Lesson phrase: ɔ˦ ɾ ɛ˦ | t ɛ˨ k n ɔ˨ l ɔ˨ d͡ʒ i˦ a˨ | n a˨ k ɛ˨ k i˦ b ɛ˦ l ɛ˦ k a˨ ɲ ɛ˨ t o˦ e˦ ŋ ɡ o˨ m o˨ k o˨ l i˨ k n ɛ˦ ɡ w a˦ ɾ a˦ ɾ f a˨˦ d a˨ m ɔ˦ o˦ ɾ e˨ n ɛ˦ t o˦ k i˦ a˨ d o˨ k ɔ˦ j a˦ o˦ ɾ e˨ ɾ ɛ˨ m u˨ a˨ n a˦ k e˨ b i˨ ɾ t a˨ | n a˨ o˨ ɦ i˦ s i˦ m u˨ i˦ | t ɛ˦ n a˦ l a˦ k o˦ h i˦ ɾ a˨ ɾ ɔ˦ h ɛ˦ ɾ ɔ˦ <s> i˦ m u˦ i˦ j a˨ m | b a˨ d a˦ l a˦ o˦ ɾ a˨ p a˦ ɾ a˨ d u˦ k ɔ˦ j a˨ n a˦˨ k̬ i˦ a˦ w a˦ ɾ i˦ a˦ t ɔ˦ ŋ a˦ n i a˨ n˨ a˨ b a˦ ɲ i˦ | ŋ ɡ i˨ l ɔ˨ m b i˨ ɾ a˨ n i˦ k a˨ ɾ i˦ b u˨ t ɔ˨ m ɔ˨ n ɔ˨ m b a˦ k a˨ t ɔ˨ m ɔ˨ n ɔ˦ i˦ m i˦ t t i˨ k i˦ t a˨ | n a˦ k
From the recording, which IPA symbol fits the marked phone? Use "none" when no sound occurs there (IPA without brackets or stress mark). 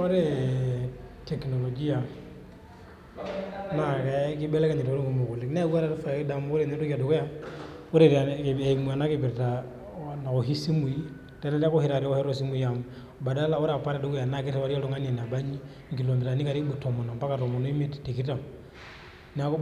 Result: s